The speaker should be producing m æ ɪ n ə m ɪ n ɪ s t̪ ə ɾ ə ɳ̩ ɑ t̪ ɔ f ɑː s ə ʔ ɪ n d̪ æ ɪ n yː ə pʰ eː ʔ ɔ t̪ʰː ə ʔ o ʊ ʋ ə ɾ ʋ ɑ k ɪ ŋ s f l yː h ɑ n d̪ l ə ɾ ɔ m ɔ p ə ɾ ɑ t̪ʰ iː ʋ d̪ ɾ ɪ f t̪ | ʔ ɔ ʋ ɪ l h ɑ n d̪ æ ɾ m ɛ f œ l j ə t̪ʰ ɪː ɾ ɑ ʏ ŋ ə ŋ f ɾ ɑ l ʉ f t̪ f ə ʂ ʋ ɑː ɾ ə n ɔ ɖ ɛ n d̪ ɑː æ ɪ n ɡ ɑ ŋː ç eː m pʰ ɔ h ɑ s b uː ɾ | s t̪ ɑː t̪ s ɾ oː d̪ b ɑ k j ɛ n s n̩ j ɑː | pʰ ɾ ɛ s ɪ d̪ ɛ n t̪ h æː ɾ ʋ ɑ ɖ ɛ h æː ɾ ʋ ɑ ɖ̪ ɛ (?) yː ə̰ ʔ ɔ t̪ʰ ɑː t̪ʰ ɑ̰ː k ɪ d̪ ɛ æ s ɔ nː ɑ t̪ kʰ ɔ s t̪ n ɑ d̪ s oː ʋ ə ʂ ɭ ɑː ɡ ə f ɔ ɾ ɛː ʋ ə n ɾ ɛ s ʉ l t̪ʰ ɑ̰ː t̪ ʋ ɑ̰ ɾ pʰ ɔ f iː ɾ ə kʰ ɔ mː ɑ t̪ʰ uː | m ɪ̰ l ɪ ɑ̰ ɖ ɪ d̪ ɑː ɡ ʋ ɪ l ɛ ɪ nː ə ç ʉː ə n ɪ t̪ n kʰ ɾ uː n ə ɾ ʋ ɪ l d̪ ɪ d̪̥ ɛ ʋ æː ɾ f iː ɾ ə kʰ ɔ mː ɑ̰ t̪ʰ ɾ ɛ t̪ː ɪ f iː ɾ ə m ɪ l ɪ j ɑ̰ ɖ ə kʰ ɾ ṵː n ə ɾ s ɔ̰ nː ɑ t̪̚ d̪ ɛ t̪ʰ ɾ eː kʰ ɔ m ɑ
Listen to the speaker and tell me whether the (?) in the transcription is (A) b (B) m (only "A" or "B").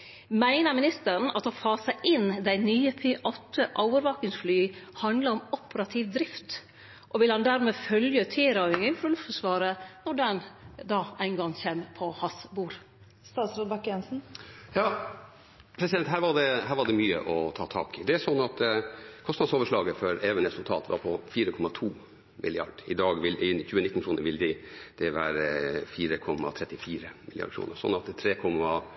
B